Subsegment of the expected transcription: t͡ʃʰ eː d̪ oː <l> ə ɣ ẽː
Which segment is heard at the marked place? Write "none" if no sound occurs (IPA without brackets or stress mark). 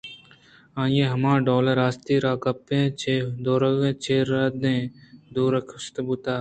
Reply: ɾ